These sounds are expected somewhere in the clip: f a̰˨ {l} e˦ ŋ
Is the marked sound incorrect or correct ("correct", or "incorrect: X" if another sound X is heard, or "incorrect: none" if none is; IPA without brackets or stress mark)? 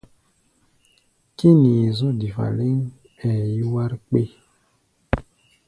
correct